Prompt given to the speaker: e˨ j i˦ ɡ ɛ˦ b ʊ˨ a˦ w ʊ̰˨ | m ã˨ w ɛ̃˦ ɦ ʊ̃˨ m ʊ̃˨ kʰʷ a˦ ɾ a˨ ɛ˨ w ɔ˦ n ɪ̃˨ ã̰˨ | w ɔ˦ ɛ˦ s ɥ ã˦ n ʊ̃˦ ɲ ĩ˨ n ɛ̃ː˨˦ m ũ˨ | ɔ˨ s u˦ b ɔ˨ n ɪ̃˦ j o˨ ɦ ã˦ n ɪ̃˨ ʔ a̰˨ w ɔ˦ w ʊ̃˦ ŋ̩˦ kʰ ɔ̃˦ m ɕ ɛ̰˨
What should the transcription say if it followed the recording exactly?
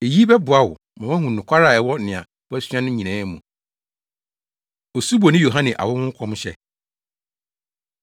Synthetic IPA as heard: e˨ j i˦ b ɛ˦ b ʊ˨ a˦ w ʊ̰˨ | m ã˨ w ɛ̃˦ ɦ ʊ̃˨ n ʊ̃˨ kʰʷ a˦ ɾ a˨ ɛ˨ w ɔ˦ n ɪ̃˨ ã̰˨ | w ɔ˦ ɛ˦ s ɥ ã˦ n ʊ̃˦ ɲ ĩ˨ n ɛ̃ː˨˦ m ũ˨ | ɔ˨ s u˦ b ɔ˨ n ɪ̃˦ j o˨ ɦ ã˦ n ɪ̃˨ ʔ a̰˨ w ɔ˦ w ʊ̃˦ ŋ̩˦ kʰ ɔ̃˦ m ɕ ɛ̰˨